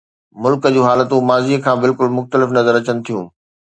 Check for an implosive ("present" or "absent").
absent